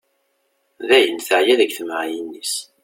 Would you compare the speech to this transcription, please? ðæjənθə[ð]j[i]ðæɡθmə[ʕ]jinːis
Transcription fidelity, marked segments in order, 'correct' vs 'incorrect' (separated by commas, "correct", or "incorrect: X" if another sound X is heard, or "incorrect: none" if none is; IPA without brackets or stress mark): incorrect: ʕ, incorrect: æ, correct